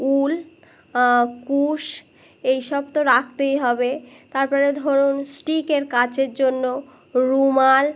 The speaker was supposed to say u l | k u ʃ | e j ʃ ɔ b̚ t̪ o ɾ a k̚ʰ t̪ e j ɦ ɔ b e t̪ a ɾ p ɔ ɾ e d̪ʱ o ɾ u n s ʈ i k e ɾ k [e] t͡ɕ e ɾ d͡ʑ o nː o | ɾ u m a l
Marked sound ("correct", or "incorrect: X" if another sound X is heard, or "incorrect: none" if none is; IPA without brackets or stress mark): incorrect: a